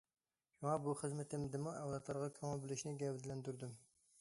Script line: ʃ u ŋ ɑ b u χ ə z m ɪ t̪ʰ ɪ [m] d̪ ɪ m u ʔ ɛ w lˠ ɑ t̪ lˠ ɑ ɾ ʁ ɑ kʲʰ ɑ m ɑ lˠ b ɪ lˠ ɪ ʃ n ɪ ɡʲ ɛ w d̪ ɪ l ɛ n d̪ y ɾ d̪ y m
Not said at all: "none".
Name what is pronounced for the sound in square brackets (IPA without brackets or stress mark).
m